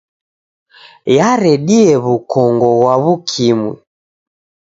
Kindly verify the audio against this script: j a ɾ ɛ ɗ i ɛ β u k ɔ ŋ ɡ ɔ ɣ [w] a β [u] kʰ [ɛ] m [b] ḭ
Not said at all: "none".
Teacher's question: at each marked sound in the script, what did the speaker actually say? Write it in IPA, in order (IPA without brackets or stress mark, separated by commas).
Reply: w, u, i, w